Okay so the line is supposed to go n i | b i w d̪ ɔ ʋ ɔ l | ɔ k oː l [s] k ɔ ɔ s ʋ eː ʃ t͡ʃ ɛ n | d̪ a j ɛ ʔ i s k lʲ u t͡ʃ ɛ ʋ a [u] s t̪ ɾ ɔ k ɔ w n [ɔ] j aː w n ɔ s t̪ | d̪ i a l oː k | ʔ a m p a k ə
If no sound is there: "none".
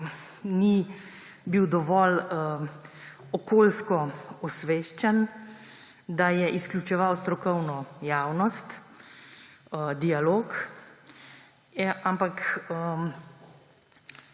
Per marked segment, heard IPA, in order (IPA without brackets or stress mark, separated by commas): s, w, ɔ